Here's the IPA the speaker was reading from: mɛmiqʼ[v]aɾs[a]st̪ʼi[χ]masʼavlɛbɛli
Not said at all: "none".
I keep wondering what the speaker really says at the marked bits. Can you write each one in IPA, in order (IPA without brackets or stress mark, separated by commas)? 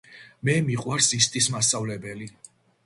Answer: w, i, s